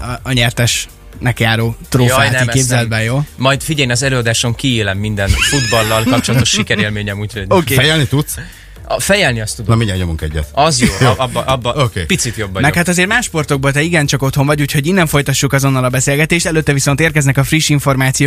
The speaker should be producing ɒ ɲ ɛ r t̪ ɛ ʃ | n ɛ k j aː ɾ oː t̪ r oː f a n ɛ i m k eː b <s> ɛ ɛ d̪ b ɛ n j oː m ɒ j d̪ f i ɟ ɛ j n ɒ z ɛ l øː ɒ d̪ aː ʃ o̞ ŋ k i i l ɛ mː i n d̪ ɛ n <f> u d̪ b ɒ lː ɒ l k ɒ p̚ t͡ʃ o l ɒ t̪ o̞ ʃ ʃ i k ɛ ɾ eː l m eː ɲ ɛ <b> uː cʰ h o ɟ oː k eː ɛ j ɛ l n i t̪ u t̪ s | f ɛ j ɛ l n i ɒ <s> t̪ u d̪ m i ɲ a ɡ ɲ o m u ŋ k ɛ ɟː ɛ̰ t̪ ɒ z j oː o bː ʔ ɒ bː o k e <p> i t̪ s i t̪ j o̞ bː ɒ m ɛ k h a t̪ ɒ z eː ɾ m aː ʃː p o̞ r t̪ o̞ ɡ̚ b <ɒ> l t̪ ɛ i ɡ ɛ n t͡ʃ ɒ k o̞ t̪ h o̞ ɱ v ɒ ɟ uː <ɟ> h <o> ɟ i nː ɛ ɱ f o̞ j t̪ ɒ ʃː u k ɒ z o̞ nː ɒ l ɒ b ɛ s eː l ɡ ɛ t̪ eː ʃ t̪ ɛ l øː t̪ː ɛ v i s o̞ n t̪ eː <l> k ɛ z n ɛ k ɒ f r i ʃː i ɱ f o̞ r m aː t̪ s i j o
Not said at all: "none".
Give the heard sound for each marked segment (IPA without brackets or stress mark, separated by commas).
z, f, m, s, p, o, c, o, r